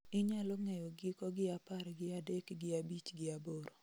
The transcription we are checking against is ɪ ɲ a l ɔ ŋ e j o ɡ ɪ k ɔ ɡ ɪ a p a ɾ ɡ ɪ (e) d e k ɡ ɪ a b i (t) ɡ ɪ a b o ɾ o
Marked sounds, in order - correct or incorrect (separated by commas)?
incorrect, incorrect